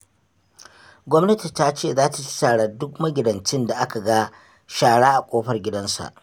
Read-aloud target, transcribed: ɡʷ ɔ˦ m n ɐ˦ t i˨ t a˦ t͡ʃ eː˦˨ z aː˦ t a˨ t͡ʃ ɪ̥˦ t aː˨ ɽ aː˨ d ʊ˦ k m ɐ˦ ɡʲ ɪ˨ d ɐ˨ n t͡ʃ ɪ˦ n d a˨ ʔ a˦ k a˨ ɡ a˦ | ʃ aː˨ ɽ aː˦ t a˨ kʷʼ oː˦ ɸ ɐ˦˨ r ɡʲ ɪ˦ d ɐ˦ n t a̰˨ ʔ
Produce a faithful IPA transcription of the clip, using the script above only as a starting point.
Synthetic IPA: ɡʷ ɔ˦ m n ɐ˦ t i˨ t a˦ t͡ʃ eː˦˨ z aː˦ t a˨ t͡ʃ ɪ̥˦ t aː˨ ɽ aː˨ d ʊ˦ k m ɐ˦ ɡʲ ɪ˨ d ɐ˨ n t͡ʃ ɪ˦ n d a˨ ʔ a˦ k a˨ ɡ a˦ | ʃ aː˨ ɽ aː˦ ʔ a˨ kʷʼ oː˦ ɸ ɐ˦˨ r ɡʲ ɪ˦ d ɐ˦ n s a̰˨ ʔ